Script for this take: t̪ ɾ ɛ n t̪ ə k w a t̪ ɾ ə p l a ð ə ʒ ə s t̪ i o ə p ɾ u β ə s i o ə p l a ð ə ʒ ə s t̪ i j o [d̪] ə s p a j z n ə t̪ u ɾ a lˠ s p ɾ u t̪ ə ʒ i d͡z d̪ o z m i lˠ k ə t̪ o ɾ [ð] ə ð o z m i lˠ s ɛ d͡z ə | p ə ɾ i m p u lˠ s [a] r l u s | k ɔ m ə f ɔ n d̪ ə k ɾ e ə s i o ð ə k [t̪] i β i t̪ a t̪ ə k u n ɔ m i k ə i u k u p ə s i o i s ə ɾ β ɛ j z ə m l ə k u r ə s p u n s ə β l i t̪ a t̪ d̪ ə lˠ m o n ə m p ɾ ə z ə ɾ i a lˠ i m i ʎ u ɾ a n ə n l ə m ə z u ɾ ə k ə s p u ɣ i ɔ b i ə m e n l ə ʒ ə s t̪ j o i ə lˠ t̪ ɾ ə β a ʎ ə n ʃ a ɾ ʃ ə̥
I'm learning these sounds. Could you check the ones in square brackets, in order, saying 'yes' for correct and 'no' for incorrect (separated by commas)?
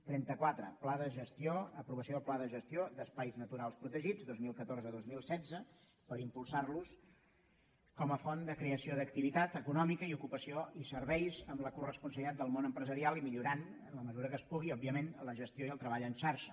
yes, no, yes, yes